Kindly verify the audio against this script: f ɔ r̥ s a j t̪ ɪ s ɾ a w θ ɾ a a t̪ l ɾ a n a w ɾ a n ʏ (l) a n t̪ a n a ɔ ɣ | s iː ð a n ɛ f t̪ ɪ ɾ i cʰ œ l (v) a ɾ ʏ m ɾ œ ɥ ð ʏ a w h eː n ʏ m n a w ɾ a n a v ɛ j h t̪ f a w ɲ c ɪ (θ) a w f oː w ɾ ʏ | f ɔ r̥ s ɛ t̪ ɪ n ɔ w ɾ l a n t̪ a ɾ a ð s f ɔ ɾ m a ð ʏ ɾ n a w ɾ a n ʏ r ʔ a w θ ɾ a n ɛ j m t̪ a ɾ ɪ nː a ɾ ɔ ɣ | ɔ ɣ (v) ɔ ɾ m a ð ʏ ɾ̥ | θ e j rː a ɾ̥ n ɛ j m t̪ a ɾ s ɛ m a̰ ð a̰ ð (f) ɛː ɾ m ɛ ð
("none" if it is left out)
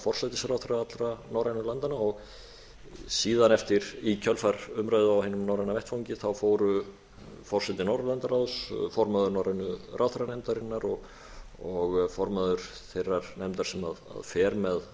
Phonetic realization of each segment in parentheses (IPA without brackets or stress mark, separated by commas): l, f, θ, f, f